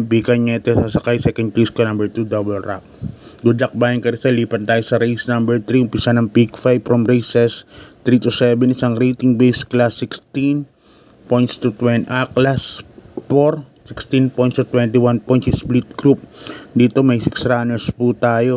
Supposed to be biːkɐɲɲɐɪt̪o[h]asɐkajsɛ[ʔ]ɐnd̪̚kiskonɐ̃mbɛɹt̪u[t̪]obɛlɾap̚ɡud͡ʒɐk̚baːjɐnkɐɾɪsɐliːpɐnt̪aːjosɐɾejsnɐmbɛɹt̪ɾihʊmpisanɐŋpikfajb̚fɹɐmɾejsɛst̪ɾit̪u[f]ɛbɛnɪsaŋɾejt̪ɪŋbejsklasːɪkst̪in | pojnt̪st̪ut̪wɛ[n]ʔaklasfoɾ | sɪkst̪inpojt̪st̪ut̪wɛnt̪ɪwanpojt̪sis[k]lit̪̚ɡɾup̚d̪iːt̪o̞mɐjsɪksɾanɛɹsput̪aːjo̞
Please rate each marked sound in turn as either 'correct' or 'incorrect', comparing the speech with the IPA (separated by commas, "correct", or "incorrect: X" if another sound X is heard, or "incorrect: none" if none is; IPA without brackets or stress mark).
incorrect: s, incorrect: k, incorrect: d̪, incorrect: s, correct, incorrect: p